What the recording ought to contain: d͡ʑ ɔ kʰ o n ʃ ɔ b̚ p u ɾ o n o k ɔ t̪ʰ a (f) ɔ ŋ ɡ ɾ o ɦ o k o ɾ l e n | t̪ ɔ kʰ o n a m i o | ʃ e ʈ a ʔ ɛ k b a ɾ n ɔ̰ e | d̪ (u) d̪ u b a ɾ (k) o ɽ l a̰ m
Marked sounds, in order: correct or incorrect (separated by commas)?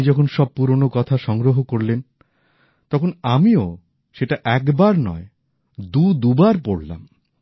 incorrect, correct, incorrect